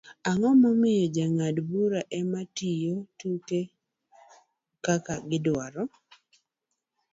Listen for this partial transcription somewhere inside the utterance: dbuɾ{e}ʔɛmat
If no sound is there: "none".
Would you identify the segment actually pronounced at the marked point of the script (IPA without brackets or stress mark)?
a